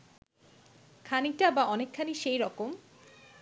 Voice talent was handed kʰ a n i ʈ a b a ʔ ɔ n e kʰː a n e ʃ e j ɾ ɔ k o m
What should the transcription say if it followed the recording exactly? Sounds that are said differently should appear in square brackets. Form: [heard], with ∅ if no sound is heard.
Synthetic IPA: kʰ a n i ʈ a b a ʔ ɔ n e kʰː a n [i] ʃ e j ɾ ɔ k o m